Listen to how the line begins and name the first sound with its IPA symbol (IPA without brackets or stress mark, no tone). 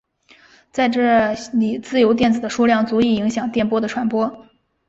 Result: t͡s